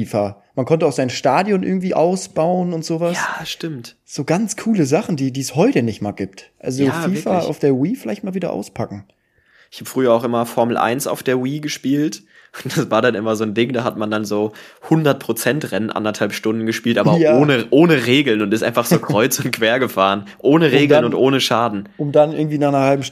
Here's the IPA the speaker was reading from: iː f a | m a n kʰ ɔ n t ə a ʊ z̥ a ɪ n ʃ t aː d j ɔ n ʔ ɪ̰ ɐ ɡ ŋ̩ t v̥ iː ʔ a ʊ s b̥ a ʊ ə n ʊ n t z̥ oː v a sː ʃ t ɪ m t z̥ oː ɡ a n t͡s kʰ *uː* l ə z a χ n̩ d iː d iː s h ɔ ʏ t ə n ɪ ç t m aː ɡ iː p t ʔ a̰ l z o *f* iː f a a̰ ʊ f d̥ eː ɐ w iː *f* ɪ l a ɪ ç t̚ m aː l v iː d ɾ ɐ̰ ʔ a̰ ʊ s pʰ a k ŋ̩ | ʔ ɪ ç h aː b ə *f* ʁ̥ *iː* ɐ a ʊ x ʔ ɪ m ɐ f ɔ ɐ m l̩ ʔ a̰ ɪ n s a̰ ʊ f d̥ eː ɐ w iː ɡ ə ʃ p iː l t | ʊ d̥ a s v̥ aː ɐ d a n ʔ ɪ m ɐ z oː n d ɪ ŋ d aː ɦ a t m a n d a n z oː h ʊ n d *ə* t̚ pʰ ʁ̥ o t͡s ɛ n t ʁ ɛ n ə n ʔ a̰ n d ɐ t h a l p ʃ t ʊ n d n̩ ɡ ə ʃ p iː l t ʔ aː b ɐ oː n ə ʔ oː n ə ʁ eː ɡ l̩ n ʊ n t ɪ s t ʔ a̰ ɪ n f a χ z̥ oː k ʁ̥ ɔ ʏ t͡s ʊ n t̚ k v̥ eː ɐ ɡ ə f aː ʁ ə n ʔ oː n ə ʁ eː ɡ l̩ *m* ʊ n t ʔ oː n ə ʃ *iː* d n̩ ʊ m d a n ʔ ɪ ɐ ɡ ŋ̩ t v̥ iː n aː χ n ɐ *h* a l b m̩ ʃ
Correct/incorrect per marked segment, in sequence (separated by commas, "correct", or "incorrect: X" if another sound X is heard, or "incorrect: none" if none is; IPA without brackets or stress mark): correct, correct, correct, correct, incorrect: yː, incorrect: ɐ, incorrect: n, incorrect: aː, correct